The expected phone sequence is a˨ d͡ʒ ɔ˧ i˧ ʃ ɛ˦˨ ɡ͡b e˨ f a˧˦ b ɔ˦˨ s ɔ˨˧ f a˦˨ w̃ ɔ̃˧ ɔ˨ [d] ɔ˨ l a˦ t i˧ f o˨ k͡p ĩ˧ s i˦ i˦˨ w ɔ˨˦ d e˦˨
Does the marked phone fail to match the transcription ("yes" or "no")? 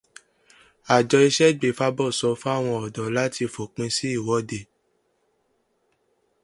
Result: no